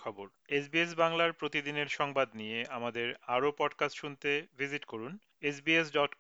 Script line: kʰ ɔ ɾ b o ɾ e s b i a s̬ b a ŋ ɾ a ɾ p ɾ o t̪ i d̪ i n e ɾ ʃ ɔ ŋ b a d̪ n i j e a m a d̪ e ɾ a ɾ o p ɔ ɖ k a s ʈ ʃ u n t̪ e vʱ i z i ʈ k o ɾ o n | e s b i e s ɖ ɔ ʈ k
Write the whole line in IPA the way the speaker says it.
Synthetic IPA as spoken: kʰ ɔ b o ɾ e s b i e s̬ b a ŋ l a ɾ p ɾ o t̪ i d̪ i n e ɾ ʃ ɔ ŋ b a d̪ n i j e a m a d̪ e ɾ a ɾ o p ɔ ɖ k a s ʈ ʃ u n t̪ e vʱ i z i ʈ k o ɾ u n | e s b i e s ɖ ɔ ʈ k